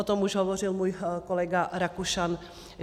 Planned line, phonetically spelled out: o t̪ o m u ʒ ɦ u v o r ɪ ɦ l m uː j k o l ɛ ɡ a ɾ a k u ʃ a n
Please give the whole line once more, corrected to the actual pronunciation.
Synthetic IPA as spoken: o t̪ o m u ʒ ɦ o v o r ɪ l m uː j k o l ɛ ɡ a ɾ a k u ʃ a n